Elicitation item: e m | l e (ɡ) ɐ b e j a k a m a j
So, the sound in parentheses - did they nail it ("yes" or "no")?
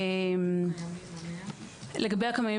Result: yes